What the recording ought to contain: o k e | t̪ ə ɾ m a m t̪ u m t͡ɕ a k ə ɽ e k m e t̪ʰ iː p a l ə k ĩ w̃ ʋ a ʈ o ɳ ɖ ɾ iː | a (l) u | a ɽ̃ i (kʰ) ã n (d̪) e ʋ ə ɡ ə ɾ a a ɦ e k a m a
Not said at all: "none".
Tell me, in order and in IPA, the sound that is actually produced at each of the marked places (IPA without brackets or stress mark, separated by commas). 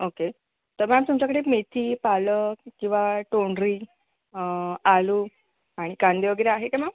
l, k, d̪